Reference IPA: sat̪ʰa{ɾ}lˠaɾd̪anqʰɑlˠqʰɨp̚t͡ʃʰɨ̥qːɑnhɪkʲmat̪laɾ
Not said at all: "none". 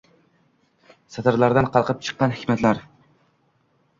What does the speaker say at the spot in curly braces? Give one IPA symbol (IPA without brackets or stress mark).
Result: ɾ